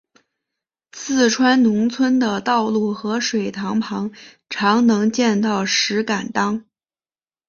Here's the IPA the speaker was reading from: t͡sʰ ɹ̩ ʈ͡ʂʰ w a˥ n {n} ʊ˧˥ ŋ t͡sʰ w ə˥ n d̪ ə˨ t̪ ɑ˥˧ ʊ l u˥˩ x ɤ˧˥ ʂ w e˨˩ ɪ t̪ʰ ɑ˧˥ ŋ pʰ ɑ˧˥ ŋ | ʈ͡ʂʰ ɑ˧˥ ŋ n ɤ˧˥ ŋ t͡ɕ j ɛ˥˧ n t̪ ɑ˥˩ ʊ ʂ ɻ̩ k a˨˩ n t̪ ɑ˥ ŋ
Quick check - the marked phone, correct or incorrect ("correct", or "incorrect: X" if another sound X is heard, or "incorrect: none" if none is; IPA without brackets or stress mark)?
correct